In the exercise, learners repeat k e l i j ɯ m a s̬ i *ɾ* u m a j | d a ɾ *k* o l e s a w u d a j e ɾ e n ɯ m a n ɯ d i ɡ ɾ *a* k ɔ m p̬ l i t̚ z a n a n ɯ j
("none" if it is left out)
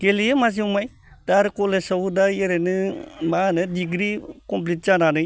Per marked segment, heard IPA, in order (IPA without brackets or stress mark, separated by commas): none, k, i